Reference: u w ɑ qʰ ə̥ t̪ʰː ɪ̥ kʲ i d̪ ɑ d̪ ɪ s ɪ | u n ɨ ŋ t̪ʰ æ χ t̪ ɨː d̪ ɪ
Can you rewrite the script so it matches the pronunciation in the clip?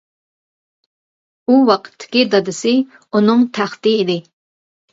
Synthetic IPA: u w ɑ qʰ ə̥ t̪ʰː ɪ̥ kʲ i d̪ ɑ d̪ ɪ s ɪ | u n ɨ ŋ t̪ʰ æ χ t̪ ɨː d̪ ɪ